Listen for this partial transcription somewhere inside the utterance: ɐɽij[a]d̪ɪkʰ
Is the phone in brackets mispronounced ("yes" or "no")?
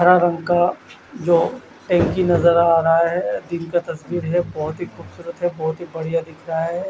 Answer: no